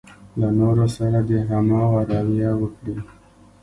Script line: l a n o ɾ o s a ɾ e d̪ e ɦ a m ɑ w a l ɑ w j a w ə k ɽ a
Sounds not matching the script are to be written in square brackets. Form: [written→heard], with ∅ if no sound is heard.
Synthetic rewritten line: l a n o ɾ o s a ɾ [e→a] d̪ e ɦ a m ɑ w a [l→ɾ] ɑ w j a w ə k ɽ [a→i]